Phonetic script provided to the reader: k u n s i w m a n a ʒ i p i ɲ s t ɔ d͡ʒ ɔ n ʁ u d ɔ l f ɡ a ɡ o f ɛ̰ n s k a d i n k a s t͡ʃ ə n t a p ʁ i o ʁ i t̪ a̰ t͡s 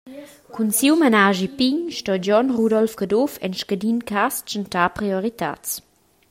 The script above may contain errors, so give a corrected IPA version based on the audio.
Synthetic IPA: k u n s i w m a n a ʒ i p i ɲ ʃ t ɔ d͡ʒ ɔ n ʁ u d ɔ l f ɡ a d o f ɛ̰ n ʃ k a d i n k a s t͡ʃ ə n t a p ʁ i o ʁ i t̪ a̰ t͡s